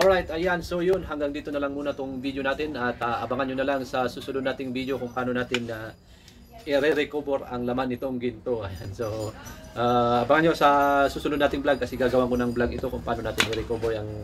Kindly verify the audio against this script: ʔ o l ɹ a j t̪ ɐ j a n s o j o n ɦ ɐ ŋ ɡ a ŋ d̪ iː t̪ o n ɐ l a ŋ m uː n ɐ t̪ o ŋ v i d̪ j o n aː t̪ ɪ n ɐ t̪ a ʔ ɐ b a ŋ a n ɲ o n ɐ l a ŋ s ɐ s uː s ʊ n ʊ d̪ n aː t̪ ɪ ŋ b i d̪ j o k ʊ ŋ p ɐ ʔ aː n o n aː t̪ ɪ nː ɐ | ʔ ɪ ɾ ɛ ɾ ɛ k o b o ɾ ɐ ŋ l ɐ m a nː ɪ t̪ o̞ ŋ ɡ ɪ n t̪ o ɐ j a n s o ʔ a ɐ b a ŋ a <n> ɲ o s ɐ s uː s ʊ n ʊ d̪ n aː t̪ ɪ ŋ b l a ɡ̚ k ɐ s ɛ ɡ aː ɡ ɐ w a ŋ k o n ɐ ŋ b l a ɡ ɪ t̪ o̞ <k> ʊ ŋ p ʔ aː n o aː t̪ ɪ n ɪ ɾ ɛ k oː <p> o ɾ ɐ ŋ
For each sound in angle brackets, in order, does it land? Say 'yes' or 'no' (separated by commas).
yes, yes, no